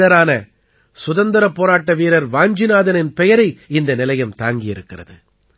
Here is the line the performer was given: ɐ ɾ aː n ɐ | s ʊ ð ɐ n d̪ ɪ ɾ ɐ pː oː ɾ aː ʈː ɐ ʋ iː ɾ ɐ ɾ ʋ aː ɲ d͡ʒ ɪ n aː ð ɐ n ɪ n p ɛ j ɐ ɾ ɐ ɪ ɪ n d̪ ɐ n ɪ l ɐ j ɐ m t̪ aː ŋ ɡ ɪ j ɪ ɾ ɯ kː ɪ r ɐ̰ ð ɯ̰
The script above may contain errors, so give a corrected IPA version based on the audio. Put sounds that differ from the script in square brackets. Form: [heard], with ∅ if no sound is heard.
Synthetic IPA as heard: ɐ ɾ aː n ɐ | s ʊ ð ɐ n d̪ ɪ ɾ ɐ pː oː ɾ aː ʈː ɐ ʋ iː ɾ ɐ ɾ ʋ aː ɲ d͡ʒ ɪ n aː ð ɐ n ɪ n p ɛ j ɐ ɾ ɐ ɪ ɪ n d̪ ɐ n ɪ l ɐ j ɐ m t̪ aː ŋ ɡ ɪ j ɪ ɾ ɯ kː ɪ r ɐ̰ ð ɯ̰